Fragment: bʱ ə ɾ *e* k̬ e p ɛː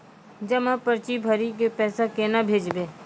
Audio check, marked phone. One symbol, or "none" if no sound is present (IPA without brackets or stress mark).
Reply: i